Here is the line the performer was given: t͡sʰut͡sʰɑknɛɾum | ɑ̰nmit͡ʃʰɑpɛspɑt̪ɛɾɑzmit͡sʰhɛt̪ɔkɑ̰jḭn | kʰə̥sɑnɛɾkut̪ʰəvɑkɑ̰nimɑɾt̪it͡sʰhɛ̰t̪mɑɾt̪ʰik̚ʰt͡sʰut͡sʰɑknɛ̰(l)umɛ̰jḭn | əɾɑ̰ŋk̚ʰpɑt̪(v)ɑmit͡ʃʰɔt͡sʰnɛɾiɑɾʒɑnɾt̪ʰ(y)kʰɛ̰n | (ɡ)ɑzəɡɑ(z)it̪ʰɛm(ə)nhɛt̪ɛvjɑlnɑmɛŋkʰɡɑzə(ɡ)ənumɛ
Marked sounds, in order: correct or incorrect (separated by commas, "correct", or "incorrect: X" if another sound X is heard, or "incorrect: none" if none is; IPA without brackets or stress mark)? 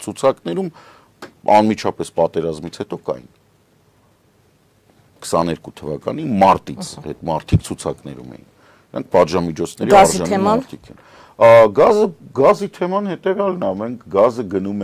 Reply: incorrect: ɾ, incorrect: ʒ, incorrect: i, correct, correct, incorrect: ɑ, correct